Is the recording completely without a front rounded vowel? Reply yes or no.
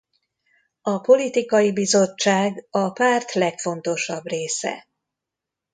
yes